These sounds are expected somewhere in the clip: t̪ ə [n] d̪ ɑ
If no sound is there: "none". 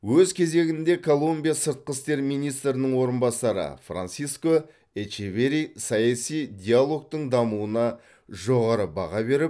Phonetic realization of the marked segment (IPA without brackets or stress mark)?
ɴ